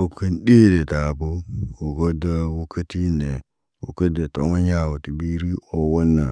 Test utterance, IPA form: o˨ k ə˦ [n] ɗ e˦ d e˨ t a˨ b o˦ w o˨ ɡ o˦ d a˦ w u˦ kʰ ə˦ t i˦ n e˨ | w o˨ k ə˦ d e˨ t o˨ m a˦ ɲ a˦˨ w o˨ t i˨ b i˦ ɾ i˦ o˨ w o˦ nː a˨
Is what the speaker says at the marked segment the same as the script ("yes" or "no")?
yes